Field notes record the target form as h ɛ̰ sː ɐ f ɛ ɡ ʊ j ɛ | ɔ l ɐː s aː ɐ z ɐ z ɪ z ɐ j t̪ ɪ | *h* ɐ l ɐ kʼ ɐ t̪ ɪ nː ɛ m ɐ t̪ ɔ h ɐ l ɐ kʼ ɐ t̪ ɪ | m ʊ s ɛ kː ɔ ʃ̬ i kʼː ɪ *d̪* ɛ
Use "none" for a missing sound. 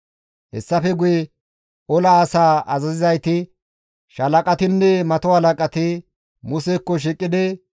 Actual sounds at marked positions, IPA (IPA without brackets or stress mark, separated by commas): ʃ, d̪